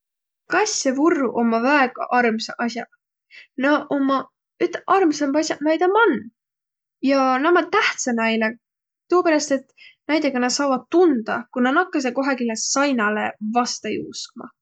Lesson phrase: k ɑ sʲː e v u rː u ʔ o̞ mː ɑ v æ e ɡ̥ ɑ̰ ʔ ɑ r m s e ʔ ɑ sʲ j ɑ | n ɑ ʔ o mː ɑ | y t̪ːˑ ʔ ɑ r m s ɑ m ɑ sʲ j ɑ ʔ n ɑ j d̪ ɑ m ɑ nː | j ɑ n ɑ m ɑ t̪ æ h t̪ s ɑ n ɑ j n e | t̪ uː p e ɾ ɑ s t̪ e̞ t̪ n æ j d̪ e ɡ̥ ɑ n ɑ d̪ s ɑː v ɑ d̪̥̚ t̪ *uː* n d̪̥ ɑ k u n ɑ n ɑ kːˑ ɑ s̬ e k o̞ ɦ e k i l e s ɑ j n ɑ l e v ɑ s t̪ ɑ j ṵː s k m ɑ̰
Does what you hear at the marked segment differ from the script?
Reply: yes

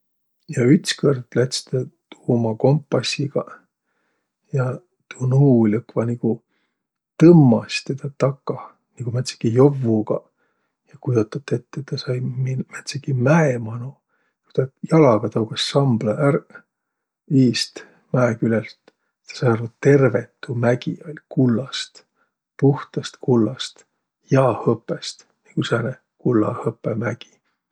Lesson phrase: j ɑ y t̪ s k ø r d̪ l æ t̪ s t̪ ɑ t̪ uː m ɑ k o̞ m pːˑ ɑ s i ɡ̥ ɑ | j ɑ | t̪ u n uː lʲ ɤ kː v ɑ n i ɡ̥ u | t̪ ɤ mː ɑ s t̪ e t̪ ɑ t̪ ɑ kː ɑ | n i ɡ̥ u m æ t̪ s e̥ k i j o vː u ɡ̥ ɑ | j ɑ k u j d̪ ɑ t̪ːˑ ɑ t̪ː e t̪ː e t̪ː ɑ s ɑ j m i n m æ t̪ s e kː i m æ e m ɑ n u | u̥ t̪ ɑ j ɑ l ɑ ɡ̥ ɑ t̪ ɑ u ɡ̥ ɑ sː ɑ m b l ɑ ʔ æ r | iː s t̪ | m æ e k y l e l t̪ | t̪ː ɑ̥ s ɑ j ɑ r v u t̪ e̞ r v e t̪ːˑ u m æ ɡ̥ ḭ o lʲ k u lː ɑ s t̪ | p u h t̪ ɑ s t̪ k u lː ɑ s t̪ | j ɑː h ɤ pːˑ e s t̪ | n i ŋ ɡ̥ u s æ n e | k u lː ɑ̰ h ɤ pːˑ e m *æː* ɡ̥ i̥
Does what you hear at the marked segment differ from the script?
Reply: yes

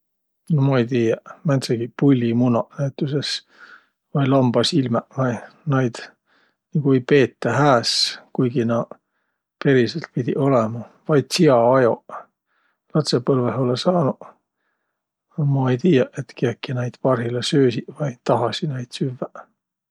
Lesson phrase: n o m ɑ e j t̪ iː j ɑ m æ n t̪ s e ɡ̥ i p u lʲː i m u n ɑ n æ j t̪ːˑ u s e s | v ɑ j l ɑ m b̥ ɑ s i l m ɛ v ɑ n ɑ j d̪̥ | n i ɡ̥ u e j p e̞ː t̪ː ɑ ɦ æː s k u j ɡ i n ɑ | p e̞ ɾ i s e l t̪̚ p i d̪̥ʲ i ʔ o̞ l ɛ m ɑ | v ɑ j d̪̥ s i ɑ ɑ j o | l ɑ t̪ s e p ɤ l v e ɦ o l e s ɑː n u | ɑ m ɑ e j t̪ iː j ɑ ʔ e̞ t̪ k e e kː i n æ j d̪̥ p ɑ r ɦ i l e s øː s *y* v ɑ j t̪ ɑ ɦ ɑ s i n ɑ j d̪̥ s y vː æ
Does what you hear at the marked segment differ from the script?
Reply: yes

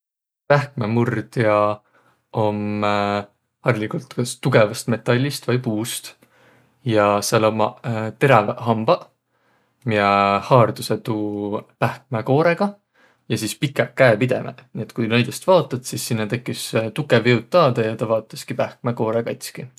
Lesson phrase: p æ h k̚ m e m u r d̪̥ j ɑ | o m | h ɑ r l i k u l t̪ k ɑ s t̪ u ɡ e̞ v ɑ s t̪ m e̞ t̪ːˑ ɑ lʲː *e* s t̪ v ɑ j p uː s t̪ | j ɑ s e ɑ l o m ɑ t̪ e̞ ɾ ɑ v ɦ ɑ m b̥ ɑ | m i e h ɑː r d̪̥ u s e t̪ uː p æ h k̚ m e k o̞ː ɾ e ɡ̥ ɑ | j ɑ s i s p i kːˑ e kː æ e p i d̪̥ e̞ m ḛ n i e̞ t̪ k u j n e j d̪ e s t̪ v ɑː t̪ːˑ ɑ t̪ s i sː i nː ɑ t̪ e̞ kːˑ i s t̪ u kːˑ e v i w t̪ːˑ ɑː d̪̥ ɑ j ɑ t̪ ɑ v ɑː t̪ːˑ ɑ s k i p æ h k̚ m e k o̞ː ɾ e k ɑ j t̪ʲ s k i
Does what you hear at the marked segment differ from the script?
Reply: yes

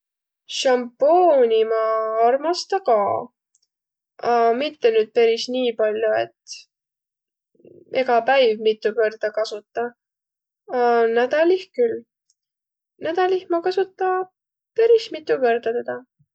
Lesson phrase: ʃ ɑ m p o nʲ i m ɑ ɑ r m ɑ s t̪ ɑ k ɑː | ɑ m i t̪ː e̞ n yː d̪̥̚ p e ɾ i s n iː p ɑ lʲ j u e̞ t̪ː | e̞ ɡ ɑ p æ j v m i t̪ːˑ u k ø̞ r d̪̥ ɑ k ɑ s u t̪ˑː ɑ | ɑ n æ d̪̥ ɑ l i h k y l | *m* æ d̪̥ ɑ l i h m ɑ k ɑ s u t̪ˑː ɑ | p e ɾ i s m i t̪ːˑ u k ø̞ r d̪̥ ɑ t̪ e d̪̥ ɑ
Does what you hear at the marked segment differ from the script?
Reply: yes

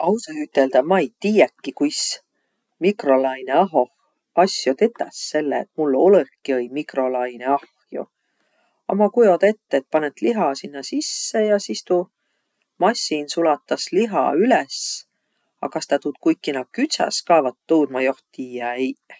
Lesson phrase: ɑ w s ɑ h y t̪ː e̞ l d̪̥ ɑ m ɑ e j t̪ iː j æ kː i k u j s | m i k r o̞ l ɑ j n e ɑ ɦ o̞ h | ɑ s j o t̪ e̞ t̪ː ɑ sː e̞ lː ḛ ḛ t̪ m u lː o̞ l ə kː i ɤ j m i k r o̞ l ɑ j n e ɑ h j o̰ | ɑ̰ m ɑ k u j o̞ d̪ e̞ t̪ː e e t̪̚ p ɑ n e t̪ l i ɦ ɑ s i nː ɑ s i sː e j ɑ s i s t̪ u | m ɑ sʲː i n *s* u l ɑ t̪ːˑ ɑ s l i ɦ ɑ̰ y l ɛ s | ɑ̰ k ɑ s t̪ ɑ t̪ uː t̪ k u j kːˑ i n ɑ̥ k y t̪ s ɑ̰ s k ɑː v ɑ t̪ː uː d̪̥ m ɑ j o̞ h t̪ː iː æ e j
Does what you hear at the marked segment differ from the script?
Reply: no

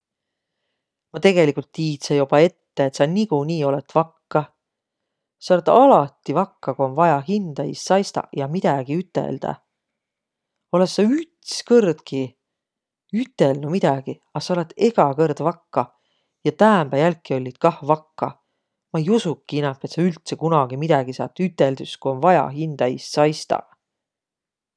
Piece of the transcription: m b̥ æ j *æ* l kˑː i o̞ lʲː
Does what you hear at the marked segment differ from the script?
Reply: no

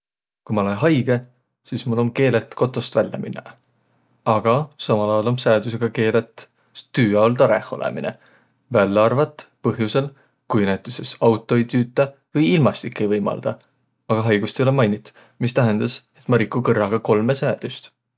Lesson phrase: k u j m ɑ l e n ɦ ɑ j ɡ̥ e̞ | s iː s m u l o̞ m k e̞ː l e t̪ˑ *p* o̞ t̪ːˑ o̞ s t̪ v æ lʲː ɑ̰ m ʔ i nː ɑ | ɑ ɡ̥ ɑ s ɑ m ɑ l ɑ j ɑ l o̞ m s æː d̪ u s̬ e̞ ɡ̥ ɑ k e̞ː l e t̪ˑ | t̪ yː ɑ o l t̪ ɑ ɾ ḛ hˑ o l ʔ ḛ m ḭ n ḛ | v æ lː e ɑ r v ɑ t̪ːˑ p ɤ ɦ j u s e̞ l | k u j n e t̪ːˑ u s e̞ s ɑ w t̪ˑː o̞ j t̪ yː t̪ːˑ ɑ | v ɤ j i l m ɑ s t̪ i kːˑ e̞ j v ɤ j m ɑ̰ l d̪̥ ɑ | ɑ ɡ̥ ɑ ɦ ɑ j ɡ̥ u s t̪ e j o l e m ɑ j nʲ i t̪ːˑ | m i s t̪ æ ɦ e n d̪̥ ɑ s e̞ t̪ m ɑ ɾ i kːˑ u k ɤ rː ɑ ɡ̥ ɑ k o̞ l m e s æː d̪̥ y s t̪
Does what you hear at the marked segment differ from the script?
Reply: yes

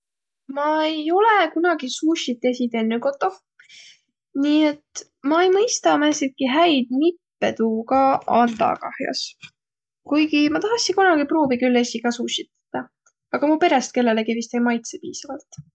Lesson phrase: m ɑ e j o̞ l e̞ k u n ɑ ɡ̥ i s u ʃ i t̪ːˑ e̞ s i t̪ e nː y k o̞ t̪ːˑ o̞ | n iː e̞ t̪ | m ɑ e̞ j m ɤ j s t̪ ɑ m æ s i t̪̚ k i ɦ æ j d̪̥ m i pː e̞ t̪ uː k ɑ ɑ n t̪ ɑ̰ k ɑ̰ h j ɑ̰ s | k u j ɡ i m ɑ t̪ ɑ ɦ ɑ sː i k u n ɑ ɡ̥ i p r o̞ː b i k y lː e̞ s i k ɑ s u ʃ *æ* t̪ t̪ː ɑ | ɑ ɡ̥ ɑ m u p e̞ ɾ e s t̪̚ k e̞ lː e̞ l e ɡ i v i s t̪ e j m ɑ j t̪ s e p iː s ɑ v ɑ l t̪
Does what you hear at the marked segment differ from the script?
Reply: yes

